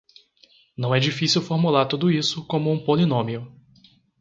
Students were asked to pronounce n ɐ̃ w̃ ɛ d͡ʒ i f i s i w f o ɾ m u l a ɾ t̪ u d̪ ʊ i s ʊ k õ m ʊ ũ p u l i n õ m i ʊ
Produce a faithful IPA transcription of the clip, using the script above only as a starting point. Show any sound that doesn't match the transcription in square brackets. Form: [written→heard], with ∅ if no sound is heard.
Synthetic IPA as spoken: n ɐ̃ w̃ ɛ d͡ʒ i f i s i w f o ɾ m u l a ɾ t̪ u d̪ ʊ i s ʊ k õ m ʊ ũ p [u→o] l i n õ m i ʊ